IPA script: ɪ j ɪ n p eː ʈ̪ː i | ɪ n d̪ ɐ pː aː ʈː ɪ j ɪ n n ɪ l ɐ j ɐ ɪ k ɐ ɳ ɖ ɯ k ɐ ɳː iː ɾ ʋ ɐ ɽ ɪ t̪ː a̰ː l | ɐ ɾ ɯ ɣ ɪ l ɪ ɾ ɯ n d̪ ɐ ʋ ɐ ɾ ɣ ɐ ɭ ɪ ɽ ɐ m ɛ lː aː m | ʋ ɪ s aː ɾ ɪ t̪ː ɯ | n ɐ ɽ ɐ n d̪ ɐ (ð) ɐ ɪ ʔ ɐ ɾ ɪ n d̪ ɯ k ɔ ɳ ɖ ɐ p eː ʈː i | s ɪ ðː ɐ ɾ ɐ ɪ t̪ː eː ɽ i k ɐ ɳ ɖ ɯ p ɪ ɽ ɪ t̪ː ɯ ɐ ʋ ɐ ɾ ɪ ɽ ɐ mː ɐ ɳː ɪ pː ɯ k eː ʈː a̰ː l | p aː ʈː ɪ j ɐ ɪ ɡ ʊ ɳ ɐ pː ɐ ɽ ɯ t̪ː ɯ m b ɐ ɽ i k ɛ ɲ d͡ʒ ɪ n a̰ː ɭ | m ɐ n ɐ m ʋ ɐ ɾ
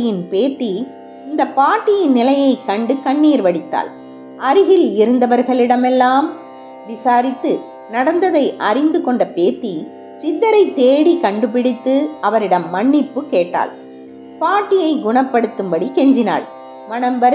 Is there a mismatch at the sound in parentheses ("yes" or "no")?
no